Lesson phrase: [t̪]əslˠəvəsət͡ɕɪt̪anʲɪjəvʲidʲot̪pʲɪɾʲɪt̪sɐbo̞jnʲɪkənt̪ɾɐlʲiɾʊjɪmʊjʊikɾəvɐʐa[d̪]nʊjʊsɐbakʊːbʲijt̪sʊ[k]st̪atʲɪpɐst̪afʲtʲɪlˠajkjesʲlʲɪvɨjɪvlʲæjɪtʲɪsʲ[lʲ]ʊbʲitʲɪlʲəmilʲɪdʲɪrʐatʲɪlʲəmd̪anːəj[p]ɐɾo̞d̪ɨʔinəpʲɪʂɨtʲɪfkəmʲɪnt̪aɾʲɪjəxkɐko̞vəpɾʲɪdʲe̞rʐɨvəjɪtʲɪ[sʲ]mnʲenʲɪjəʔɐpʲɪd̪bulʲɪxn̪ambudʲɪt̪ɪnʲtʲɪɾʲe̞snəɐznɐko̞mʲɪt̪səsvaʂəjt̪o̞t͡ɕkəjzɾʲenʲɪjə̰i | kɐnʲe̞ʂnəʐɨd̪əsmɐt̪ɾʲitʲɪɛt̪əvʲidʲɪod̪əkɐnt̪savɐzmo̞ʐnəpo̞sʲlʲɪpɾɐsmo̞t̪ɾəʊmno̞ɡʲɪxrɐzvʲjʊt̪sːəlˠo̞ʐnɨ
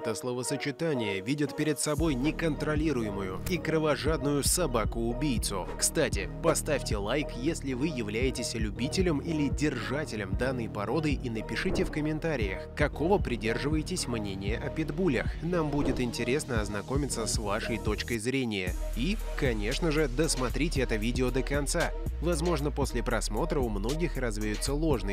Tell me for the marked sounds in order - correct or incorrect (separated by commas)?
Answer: correct, correct, correct, correct, correct, correct